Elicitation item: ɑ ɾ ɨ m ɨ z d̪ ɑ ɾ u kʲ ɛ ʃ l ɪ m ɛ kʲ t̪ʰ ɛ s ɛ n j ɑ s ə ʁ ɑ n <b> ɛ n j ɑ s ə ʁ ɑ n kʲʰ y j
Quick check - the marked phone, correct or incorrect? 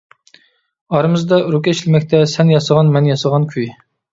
incorrect